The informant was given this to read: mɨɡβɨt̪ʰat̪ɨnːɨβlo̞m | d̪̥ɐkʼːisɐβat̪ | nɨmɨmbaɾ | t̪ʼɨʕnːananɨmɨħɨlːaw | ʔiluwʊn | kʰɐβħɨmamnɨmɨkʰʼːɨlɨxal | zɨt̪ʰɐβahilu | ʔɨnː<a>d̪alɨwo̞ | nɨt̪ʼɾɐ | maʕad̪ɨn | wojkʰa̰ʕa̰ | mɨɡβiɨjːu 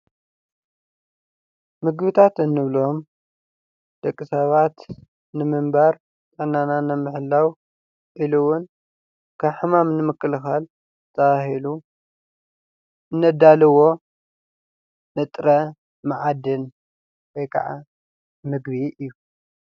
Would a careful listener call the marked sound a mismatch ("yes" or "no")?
yes